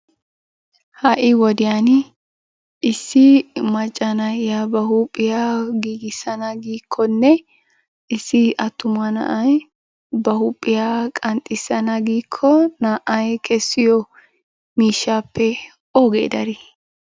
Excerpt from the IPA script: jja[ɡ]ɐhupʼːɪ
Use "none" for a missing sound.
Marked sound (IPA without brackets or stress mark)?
b